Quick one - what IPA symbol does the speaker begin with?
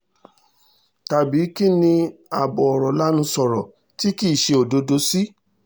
t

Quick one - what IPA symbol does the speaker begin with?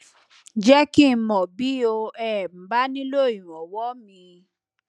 d͡ʒ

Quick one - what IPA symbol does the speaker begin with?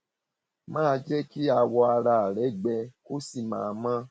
m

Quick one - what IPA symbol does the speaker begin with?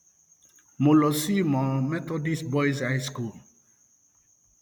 m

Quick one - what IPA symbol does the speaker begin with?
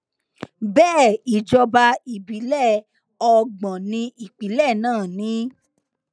b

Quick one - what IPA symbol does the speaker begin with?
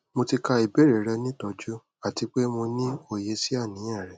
m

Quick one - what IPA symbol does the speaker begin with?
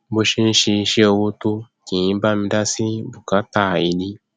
b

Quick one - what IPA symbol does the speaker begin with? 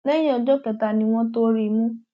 n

